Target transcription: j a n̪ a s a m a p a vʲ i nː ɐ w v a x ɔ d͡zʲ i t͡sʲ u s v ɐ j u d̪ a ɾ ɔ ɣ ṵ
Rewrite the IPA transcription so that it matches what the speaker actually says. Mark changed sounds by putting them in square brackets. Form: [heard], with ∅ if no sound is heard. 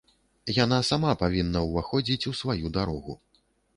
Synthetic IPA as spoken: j a n̪ a s a m a p a vʲ i nː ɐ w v a x ɔ d͡zʲ i t͡sʲ u s v [a] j u d̪ a ɾ ɔ ɣ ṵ